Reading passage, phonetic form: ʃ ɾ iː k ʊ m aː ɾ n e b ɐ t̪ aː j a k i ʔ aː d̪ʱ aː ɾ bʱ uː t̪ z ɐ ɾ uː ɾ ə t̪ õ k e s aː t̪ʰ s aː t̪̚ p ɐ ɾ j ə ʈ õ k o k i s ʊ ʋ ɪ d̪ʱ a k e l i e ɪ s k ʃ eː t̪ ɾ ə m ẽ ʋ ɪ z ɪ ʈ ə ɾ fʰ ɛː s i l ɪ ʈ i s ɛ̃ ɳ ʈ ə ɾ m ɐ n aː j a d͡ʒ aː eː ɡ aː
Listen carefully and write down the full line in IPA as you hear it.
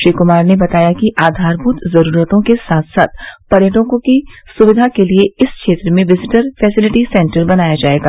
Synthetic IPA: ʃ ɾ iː k ʊ m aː ɾ n e b ɐ t̪ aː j a k i ʔ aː d̪ʱ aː ɾ bʱ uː t̪ z ɐ ɾ uː ɾ ə t̪ õ k e s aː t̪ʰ s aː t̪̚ p ɐ ɾ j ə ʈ õ k o k i s ʊ ʋ ɪ d̪ʱ a k e l i e ɪ s k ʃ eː t̪ ɾ ə m ẽ ʋ ɪ z ɪ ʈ ə ɾ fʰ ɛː s ɪ l ɪ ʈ i s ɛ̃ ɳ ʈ ə ɾ b ɐ n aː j a d͡ʒ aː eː ɡ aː